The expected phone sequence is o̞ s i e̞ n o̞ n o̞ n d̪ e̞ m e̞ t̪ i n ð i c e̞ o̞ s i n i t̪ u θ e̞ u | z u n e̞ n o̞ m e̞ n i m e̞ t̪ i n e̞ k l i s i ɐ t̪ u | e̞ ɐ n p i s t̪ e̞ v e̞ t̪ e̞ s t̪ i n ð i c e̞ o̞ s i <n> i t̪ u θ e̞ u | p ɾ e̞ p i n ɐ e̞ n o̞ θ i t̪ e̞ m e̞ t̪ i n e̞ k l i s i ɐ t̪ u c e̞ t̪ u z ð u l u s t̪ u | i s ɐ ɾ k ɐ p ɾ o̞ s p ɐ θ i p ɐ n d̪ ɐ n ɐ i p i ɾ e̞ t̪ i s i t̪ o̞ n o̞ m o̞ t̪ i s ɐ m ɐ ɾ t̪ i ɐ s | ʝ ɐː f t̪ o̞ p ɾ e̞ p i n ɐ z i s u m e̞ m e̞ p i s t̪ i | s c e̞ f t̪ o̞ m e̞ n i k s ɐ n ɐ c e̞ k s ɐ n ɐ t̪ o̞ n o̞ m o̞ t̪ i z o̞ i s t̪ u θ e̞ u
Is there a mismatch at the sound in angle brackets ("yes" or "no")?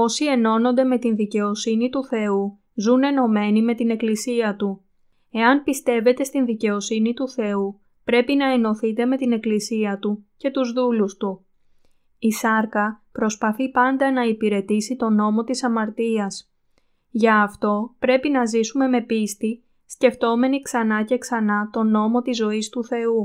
no